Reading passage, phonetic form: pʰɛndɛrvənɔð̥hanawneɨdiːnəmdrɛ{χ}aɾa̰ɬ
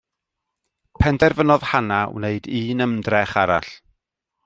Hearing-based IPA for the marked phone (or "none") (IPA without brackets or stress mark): χ